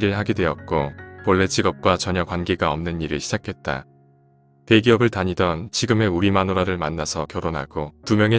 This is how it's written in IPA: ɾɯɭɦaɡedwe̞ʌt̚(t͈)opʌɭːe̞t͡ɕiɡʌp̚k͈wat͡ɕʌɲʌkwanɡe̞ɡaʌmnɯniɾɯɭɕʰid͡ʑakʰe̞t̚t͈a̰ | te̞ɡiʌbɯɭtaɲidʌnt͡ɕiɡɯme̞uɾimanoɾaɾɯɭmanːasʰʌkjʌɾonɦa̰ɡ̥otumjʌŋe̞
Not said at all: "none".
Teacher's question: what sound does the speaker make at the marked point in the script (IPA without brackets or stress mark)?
k͈